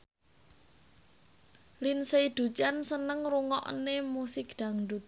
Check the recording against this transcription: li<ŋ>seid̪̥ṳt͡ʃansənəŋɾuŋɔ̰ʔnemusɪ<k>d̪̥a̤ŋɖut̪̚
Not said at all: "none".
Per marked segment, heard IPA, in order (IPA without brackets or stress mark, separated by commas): n, k